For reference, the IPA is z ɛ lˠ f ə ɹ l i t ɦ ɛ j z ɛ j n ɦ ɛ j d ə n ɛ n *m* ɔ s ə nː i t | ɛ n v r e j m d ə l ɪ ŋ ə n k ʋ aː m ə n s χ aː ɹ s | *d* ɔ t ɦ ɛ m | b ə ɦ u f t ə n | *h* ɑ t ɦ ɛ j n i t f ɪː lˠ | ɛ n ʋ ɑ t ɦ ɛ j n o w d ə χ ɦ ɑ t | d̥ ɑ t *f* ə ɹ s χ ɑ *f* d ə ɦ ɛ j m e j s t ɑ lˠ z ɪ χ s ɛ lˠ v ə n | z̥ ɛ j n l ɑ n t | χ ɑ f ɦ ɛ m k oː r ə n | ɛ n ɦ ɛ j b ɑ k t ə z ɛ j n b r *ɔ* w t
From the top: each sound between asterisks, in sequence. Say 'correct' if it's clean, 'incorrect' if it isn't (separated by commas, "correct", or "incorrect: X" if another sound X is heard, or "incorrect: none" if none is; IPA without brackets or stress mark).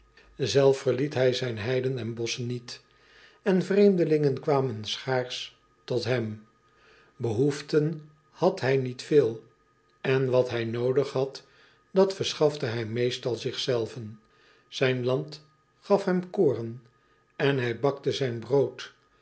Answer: incorrect: b, incorrect: t, correct, correct, correct, incorrect: o